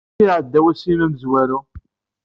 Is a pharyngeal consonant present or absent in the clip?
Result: present